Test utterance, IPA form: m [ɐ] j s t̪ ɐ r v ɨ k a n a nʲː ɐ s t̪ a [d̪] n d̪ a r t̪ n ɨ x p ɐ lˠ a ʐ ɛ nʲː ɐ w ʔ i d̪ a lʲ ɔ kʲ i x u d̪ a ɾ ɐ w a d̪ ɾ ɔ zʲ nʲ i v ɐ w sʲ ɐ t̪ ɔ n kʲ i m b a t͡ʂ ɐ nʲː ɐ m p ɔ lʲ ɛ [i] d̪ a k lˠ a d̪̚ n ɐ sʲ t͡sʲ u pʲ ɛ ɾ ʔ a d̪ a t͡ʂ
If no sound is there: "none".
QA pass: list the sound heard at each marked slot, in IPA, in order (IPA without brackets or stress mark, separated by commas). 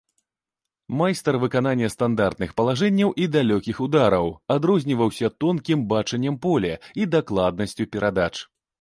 a, none, i